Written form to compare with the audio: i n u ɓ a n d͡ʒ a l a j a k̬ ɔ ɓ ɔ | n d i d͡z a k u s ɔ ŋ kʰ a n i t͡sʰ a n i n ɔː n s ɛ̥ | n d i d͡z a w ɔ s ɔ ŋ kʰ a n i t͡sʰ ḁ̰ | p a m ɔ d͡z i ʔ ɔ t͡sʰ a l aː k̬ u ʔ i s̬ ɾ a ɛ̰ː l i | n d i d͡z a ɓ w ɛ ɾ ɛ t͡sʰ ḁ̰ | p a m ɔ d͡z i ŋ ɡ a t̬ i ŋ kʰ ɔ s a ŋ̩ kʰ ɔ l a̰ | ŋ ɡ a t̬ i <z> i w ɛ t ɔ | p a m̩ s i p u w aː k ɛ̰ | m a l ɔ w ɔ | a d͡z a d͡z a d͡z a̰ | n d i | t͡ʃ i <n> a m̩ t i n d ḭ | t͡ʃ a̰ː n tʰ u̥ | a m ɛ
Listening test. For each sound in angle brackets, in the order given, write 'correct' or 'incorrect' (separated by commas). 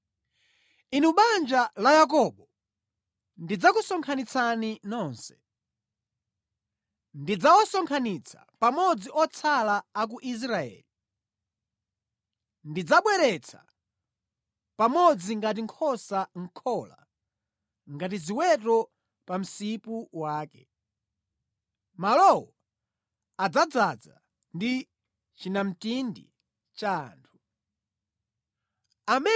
correct, correct